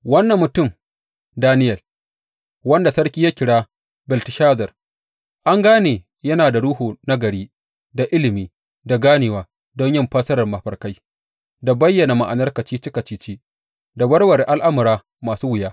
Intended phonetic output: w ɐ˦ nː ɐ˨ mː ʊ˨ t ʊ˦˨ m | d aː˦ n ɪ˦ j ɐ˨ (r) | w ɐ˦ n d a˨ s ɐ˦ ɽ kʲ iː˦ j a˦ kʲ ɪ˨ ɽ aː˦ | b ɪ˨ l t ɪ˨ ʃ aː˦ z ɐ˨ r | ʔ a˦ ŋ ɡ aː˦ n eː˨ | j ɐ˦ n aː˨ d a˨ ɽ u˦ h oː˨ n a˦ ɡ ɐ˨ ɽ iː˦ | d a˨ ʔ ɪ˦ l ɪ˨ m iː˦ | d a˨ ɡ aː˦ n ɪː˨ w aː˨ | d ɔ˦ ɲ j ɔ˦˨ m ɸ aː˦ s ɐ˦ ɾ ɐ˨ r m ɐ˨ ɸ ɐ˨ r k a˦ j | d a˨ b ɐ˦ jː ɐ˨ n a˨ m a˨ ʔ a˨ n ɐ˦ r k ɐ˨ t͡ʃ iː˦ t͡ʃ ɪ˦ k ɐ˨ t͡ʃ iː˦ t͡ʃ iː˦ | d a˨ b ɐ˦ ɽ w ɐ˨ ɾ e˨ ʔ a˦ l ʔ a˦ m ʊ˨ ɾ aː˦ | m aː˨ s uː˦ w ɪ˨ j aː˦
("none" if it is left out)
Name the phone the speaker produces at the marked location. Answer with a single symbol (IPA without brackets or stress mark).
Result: l